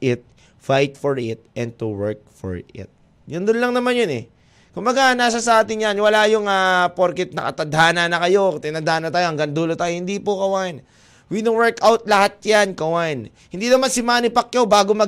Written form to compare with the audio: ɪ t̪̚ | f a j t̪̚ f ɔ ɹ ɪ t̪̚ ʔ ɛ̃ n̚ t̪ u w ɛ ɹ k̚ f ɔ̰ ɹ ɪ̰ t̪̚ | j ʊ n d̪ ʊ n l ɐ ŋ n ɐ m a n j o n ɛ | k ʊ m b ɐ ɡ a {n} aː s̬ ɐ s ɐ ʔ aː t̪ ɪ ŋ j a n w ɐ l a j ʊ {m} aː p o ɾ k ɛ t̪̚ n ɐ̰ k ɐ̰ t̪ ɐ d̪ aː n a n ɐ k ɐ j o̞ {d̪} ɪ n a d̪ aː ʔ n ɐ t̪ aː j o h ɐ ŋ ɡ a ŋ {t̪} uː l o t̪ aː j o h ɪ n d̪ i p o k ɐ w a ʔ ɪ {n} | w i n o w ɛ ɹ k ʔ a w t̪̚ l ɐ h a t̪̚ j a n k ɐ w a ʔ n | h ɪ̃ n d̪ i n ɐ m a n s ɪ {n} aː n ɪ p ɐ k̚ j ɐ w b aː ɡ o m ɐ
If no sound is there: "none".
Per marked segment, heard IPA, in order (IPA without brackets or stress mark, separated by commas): n, ŋ, t̪, d̪, n, m